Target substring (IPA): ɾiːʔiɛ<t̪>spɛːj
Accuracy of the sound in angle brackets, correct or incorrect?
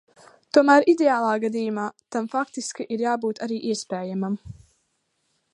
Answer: incorrect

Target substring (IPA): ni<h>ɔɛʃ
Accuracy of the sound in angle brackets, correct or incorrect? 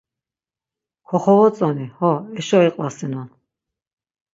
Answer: correct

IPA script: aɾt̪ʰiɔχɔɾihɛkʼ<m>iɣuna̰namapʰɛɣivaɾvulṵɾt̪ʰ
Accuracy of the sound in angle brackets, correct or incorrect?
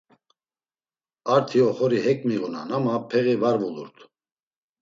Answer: correct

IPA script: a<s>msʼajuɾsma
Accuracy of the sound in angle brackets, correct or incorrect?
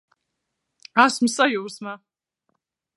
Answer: correct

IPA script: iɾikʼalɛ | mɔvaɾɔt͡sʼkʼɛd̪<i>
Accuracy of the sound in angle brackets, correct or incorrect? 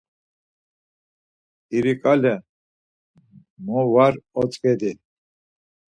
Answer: correct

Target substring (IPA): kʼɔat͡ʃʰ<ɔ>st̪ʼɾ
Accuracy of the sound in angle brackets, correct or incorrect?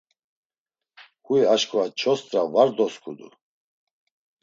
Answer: correct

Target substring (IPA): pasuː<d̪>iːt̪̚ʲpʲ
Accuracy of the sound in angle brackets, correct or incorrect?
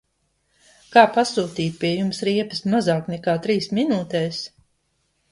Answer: incorrect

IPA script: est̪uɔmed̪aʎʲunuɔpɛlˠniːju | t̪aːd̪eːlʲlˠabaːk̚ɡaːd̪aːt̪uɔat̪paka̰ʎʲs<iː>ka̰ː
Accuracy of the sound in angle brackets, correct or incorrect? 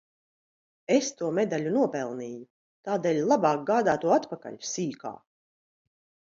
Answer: correct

